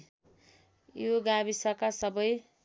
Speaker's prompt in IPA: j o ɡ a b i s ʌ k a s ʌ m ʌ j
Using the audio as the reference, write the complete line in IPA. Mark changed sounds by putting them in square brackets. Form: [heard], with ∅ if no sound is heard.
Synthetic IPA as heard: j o ɡ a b i s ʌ k a s ʌ [b] ʌ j